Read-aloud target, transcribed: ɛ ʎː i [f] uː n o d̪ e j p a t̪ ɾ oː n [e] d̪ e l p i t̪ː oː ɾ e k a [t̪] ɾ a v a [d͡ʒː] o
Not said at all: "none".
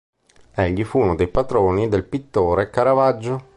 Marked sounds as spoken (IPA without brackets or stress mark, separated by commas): f, i, none, d͡ʒː